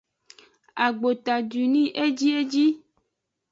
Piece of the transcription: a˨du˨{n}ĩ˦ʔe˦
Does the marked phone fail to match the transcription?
no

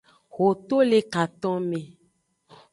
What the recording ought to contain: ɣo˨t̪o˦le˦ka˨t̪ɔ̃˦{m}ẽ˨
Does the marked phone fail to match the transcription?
no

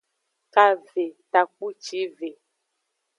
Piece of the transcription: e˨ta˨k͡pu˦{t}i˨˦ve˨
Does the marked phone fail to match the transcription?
yes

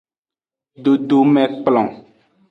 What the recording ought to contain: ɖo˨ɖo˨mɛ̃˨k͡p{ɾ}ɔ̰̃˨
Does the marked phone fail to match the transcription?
yes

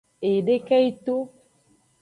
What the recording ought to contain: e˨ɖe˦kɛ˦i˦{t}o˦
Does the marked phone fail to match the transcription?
no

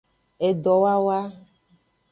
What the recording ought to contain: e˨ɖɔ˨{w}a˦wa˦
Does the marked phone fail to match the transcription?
no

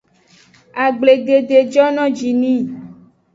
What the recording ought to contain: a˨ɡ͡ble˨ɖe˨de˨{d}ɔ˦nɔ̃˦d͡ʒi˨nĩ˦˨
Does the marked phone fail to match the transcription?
yes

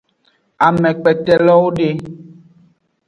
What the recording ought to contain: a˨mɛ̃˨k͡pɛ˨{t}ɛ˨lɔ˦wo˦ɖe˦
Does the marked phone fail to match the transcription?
no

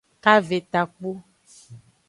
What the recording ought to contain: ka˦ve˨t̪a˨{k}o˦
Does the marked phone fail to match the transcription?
yes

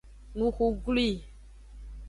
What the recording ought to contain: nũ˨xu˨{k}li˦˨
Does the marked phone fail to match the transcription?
yes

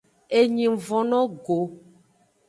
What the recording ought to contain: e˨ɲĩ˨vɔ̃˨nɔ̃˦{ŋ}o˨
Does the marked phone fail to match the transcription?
yes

